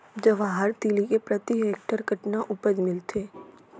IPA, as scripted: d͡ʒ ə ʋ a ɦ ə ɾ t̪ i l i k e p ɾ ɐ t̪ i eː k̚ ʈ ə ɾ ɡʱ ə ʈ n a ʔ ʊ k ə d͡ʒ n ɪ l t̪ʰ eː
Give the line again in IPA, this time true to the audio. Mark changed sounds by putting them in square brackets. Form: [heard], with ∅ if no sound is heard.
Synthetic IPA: d͡ʒ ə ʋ a ɦ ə ɾ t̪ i l i k e p ɾ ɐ t̪ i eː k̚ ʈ ə ɾ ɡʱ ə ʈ n a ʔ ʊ [p] ə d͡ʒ [m] ɪ l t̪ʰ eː